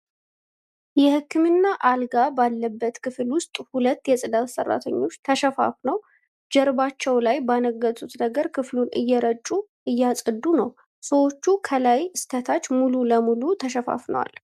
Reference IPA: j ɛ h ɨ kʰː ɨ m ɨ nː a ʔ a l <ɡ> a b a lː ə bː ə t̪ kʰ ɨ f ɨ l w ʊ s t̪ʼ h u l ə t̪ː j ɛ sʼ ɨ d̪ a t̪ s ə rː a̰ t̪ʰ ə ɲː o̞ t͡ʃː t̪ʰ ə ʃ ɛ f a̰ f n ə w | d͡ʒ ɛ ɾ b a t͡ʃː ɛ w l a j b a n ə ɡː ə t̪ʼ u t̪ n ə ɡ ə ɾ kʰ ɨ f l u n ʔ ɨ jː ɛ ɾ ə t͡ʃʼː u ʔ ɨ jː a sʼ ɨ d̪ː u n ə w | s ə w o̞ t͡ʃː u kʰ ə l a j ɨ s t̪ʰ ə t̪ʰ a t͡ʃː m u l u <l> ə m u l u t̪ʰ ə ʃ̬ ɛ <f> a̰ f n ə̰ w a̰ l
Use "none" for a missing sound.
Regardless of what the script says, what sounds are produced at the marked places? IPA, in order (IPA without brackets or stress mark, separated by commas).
ɡ, l, f